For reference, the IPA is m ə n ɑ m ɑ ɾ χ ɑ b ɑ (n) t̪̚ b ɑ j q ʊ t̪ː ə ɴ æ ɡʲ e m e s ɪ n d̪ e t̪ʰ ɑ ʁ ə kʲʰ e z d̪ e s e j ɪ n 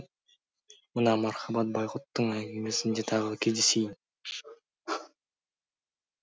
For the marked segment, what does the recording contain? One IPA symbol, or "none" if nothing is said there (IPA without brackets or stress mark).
none